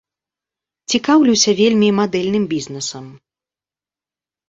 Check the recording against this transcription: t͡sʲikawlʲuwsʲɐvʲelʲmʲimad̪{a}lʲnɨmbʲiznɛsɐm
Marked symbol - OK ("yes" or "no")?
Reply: no